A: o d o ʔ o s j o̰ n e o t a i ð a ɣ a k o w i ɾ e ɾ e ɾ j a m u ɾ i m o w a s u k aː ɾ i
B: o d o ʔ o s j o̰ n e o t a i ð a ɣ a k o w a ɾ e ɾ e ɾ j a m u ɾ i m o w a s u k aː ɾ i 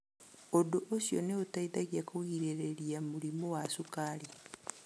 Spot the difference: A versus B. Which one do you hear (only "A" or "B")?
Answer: A